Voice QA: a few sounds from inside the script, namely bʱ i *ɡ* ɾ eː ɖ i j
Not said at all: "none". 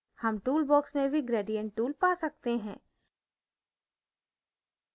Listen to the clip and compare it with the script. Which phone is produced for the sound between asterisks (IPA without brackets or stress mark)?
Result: ɡ